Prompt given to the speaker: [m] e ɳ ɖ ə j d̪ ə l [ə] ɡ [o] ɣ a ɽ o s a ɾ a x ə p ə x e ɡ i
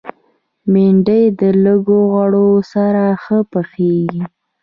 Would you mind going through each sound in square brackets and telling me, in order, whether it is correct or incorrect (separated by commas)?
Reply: correct, correct, correct